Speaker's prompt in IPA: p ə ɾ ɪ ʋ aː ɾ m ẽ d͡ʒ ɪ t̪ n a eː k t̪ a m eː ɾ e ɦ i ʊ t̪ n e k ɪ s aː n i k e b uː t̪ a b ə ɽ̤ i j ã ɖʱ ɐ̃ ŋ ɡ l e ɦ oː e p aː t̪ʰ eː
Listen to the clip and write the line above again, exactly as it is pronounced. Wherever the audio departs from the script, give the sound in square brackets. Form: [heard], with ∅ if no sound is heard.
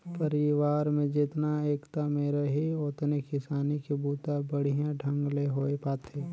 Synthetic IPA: p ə ɾ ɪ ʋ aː ɾ m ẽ d͡ʒ ɪ t̪ n a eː k t̪ a m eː ɾ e ɦ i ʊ t̪ n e k ɪ s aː n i k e b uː t̪ a b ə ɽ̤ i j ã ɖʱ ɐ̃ ŋ ɡ l e ɦ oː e p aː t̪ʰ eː